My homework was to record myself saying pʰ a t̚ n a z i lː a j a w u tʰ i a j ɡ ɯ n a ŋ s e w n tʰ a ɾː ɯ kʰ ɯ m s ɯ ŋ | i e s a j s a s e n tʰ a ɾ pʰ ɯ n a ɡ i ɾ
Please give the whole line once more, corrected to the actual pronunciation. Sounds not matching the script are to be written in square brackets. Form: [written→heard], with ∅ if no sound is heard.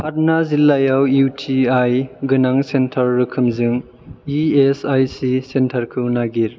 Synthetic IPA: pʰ a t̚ n a z i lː a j a w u tʰ i a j ɡ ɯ n a ŋ s e [w→∅] n tʰ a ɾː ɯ kʰ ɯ m [s→z] ɯ ŋ | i e s a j s [a→i] s e n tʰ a ɾ [pʰ→kʰ] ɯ n a ɡ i ɾ